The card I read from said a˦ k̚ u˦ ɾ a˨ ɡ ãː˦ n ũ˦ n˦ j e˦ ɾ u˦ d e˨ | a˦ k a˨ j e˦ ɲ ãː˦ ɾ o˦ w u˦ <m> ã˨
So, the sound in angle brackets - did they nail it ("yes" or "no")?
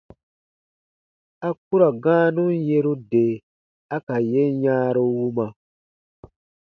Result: yes